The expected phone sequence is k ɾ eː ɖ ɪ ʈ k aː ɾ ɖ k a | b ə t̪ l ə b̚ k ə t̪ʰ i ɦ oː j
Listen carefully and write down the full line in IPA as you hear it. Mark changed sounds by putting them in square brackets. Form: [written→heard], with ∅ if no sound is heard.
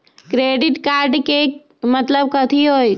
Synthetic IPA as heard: k ɾ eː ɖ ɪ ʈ k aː ɾ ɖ k [a→e] | [b→m] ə t̪ l ə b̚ k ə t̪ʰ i ɦ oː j